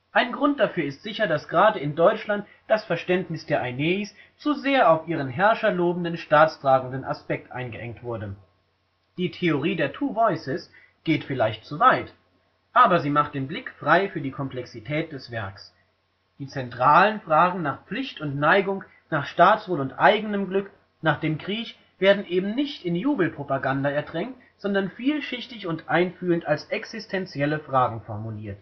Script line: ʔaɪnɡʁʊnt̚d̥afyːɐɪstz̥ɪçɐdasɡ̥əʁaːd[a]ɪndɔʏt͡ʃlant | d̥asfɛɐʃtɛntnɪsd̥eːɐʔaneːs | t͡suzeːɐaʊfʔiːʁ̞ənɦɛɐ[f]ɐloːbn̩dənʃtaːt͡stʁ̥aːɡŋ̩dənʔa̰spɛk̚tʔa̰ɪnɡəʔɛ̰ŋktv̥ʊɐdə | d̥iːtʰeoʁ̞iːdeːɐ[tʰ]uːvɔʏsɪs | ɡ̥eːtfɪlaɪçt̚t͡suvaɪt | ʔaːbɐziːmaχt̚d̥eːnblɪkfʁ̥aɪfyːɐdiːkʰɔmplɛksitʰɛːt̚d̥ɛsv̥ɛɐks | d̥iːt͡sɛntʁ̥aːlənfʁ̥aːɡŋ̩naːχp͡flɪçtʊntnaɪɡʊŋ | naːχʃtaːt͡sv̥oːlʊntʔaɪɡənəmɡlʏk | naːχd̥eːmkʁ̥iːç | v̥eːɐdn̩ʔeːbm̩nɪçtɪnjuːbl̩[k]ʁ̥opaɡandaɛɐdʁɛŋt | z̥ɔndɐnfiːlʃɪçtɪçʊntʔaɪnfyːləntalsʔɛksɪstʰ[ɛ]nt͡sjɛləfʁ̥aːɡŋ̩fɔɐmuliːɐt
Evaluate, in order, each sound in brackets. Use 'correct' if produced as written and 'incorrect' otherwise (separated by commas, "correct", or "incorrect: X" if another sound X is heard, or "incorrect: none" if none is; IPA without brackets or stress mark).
incorrect: ə, incorrect: ʃ, correct, incorrect: p, correct